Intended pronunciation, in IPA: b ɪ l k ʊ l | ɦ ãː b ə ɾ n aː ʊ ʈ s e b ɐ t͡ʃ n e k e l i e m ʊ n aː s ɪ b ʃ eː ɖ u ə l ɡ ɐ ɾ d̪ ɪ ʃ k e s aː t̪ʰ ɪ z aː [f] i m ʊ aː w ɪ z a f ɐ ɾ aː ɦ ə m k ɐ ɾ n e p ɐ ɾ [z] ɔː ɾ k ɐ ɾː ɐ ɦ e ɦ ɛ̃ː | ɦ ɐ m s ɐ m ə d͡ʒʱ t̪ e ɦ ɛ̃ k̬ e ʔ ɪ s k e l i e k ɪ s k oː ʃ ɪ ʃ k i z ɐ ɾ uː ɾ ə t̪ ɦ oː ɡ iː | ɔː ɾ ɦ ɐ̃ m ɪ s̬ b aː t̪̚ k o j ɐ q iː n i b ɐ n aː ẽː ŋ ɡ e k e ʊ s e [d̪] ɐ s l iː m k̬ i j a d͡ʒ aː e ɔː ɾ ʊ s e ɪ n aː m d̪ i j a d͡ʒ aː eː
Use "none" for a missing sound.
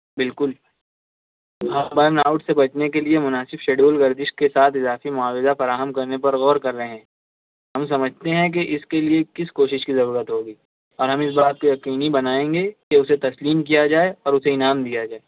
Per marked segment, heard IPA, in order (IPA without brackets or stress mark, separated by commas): f, ɣ, t̪